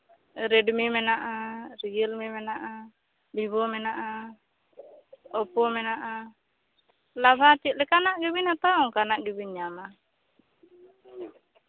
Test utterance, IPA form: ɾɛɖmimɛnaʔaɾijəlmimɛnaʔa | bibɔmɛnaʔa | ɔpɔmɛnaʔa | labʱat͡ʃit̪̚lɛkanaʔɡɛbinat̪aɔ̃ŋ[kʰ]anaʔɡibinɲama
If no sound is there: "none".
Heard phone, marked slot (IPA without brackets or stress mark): k